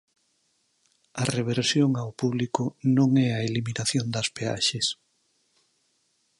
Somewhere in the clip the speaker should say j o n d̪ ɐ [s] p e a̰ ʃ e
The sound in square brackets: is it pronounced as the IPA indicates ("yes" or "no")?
yes